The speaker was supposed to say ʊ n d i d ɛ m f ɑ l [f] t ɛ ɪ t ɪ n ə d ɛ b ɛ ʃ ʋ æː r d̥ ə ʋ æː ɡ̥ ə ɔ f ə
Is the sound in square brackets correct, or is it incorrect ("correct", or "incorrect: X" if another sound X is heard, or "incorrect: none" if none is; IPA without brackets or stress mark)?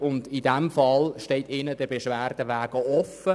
incorrect: ʃ